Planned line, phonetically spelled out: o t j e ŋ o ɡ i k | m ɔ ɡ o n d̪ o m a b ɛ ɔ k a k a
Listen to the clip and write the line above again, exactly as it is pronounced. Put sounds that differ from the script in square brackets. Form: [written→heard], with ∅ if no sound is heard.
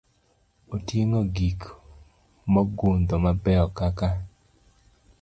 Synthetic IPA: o t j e ŋ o ɡ i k | m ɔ ɡ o n d̪ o m a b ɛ ɔ k a k a